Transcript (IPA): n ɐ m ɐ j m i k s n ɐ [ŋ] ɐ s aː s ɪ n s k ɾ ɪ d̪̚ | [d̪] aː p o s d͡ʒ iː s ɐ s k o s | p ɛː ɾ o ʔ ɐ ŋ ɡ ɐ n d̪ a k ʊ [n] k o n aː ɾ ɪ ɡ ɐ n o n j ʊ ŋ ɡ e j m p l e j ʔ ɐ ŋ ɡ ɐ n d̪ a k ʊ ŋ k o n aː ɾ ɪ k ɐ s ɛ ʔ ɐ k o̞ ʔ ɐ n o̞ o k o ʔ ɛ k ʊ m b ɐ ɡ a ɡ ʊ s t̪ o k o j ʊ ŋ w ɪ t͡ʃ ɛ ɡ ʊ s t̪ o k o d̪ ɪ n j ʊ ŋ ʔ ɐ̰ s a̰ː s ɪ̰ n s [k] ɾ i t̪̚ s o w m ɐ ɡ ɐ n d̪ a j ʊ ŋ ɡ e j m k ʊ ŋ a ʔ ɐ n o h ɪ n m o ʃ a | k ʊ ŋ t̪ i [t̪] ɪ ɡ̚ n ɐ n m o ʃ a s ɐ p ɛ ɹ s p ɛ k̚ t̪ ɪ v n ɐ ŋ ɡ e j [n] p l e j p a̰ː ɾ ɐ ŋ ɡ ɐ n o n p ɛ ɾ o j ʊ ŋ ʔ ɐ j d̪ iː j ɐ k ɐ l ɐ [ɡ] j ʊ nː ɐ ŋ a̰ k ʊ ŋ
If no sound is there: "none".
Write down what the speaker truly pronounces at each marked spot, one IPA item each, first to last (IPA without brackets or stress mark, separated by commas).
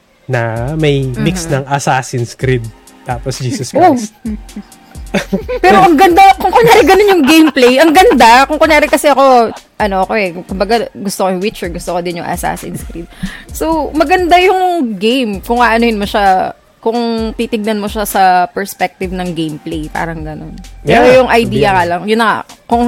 ŋ, t̪, ŋ, k, t̪, m, ŋ